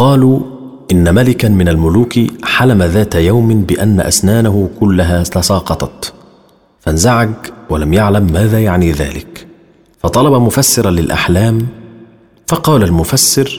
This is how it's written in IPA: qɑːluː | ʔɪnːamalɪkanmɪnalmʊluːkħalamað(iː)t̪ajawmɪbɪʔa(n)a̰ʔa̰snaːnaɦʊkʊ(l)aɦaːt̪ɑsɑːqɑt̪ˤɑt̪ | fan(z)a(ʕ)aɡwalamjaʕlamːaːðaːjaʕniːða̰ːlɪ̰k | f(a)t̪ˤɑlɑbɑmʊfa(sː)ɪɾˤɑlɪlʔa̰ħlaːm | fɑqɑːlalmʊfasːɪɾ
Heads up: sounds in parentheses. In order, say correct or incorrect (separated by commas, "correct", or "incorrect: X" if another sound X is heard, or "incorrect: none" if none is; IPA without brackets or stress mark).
incorrect: aː, incorrect: nː, incorrect: lː, correct, correct, incorrect: ɑ, correct